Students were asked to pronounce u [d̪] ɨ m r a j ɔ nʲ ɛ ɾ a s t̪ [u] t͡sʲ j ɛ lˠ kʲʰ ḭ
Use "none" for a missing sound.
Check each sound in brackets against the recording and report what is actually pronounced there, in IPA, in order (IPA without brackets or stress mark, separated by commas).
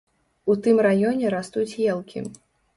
t̪, u